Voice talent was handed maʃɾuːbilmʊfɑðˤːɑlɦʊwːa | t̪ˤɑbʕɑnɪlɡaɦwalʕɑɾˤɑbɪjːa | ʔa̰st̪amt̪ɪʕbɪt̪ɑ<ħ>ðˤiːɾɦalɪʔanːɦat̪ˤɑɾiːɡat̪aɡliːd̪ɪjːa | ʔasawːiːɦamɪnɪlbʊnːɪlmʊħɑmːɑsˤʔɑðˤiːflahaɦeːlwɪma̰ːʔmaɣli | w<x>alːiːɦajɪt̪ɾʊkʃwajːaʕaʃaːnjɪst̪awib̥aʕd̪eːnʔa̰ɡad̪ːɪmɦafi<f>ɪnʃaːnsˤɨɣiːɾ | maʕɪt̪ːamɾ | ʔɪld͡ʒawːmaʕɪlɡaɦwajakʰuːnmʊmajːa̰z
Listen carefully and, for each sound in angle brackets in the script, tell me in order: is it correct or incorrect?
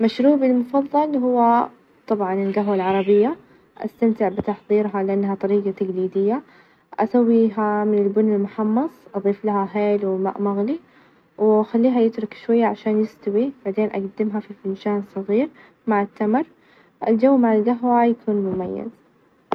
correct, correct, correct

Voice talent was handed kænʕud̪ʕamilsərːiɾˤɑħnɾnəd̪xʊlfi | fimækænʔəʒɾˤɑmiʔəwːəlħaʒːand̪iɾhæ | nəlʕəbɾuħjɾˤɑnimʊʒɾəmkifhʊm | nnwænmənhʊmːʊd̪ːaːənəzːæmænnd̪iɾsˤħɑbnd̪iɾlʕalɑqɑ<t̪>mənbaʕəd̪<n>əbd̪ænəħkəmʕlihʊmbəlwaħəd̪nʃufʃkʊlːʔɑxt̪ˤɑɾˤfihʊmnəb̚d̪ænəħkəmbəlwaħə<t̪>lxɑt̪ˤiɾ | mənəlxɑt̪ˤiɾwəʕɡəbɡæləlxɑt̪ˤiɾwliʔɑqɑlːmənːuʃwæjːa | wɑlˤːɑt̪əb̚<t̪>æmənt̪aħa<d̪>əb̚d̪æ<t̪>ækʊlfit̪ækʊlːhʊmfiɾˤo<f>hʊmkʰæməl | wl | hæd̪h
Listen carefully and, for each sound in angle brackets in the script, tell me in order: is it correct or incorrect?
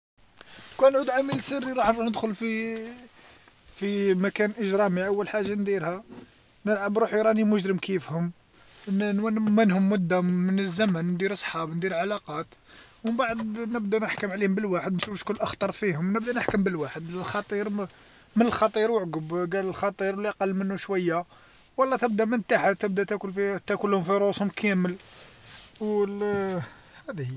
correct, correct, incorrect, incorrect, incorrect, correct, incorrect

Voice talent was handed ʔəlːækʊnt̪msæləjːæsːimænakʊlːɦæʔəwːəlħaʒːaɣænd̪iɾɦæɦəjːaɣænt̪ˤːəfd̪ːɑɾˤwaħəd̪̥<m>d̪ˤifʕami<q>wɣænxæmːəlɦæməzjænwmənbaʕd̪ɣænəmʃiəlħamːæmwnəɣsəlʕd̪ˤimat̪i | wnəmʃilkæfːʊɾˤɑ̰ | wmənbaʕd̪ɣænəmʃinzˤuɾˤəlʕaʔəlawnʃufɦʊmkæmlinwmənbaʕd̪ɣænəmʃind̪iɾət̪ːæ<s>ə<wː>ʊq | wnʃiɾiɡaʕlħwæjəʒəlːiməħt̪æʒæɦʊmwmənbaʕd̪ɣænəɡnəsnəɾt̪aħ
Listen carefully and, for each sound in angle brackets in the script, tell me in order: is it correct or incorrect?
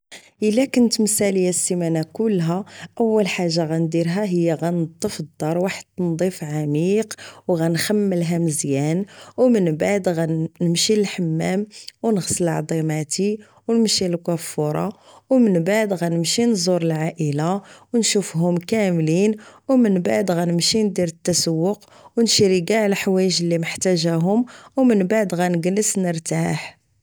incorrect, correct, correct, correct

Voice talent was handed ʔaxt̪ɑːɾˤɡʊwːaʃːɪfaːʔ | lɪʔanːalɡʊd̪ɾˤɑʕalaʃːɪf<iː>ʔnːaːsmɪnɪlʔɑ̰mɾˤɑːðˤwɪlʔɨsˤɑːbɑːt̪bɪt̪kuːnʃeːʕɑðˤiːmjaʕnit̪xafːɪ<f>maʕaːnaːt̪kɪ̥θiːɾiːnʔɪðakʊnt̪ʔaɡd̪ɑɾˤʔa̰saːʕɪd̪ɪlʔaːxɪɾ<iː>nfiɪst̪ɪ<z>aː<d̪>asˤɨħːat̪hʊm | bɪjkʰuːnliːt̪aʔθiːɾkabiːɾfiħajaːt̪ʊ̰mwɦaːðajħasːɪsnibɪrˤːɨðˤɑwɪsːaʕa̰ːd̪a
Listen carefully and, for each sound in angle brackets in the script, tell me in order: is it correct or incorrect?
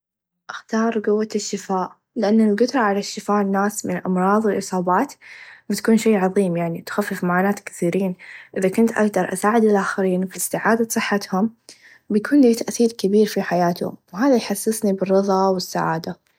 incorrect, correct, correct, incorrect, correct

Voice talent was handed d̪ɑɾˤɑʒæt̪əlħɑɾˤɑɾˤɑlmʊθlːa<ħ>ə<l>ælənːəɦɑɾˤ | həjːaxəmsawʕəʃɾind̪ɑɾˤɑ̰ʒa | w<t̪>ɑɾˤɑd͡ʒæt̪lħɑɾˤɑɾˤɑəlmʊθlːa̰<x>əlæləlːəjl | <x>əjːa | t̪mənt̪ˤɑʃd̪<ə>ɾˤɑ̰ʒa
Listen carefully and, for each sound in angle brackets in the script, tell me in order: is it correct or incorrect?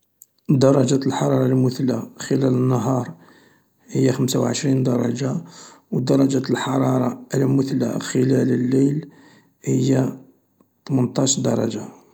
incorrect, correct, incorrect, correct, incorrect, incorrect

